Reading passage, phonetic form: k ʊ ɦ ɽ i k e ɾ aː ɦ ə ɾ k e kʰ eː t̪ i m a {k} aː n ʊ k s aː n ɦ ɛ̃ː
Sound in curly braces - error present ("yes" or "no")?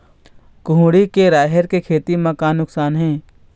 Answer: no